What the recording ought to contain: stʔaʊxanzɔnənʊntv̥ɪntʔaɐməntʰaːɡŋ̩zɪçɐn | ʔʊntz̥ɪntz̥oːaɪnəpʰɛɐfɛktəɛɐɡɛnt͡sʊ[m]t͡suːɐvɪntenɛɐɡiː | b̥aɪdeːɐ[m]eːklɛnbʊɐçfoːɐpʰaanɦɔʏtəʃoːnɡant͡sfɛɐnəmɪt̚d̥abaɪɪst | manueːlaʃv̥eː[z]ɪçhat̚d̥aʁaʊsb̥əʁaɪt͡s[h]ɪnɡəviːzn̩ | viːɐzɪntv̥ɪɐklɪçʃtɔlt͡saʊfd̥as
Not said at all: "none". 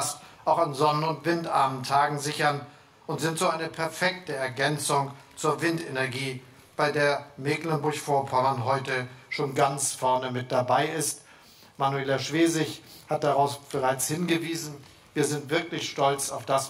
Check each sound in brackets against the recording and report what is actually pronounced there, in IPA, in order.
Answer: ŋ, m, z, h

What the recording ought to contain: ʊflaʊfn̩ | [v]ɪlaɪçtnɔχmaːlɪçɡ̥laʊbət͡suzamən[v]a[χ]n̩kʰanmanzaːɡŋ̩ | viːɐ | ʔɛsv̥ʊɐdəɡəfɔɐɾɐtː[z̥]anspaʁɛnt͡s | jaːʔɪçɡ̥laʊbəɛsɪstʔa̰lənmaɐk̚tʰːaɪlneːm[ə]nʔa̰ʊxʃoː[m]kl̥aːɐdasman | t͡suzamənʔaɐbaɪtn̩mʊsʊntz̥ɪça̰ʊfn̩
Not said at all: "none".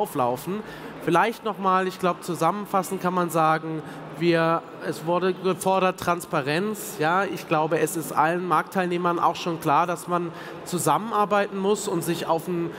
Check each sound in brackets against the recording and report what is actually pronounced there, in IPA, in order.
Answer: f, f, s, ʁ̥, ɐ, n

